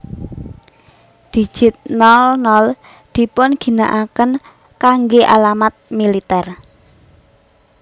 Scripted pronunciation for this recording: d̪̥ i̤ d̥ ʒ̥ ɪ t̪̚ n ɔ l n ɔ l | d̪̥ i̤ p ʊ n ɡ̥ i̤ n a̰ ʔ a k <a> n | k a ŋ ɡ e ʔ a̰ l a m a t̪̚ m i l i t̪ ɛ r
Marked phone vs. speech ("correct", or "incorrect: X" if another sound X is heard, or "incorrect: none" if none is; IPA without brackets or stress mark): incorrect: ə